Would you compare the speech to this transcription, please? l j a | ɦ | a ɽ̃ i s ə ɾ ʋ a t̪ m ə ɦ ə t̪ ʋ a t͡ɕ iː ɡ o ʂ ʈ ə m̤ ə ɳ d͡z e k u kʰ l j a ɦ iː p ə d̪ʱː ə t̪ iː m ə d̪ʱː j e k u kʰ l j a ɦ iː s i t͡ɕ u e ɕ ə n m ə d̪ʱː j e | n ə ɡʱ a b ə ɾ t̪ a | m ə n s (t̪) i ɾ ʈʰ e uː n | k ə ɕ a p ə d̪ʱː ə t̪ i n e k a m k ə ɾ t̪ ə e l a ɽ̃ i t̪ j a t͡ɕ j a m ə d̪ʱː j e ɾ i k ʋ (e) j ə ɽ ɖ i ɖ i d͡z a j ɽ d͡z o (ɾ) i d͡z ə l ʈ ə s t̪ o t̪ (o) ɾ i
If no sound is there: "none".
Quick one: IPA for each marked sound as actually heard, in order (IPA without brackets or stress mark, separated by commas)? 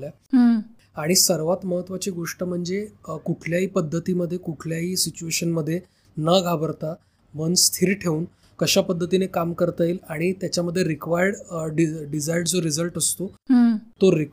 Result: t̪ʰ, a, ɾ, o